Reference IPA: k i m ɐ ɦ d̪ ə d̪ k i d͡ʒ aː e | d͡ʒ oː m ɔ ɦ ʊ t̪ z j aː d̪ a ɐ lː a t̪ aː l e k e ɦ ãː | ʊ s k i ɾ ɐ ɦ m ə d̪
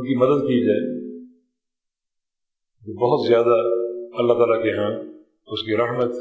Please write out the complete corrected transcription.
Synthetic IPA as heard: k i m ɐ d̪ ə d̪ k i d͡ʒ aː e | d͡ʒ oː b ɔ ɦ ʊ t̪ z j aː d̪ a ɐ lː a t̪ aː l a k e ɦ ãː | ʊ s k i ɾ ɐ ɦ m ə t̪